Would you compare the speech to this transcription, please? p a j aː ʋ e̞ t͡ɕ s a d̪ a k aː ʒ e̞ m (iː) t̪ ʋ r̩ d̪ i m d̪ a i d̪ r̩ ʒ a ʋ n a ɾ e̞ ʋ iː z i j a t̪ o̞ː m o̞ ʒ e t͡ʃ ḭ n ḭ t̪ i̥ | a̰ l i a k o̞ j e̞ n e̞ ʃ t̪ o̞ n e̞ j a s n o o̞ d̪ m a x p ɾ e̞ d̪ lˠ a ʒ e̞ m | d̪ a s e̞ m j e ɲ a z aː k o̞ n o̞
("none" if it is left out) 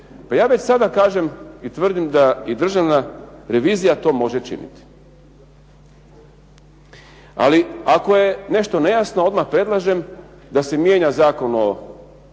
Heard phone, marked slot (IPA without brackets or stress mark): i